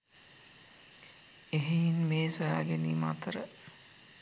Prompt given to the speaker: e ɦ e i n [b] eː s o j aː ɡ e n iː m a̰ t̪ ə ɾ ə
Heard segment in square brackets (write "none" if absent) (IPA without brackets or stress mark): m